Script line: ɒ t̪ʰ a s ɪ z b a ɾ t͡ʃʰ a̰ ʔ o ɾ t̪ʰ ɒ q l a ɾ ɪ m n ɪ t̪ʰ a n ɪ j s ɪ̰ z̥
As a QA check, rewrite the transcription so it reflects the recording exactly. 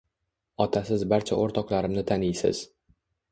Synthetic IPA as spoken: ɒ t̪ʰ a s ɪ z b a ɾ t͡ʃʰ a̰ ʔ o ɾ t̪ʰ ɒ q l a ɾ ɪ m n ɪ t̪ʰ a n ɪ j s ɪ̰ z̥